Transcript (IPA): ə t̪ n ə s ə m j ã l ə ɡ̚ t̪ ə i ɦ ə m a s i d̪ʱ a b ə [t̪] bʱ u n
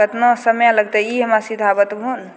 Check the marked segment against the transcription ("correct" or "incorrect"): correct